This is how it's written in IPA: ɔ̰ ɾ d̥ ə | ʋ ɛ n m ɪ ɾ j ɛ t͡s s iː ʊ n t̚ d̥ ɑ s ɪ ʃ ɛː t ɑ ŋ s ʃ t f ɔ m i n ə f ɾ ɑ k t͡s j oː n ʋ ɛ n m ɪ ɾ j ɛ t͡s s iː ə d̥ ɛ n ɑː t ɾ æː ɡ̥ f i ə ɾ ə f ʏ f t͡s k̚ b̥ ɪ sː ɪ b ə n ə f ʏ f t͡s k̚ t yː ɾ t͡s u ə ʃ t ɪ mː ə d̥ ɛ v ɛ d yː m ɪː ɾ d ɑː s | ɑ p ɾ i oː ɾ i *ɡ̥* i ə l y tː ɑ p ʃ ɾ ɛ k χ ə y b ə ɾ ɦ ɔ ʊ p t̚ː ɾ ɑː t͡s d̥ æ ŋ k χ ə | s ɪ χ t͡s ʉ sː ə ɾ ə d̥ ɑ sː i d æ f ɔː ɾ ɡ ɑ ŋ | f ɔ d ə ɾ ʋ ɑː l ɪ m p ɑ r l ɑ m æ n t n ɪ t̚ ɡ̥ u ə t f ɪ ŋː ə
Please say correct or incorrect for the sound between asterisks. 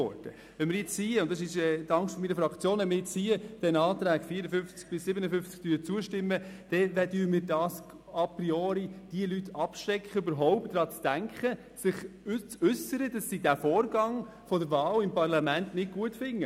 incorrect